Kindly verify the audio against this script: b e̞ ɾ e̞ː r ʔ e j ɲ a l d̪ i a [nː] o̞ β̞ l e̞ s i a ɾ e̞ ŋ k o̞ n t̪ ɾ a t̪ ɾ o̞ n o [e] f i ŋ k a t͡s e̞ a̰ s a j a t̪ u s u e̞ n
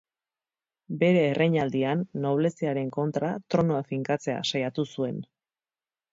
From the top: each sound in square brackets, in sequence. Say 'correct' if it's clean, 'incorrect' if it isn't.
correct, incorrect: a

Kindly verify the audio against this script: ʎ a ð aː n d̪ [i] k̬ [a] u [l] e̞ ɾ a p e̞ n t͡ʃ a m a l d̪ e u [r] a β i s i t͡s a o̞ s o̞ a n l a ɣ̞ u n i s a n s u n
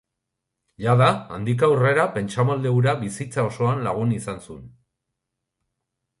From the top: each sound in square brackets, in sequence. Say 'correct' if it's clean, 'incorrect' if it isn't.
correct, correct, incorrect: r, incorrect: ɾ

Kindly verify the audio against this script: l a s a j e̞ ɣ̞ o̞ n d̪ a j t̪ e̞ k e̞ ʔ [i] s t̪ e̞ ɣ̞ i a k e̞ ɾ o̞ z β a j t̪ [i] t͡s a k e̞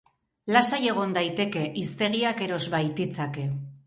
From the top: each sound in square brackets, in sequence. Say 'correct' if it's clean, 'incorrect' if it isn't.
correct, correct

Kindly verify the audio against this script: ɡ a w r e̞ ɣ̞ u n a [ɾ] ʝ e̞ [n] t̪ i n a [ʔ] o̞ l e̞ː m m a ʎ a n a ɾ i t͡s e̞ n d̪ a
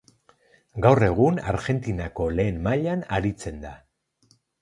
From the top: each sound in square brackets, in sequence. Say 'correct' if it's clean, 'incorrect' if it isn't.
correct, correct, incorrect: k

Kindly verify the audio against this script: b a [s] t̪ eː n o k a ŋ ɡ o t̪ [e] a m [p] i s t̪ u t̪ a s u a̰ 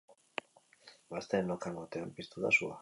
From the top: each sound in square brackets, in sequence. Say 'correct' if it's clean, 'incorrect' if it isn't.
correct, correct, correct

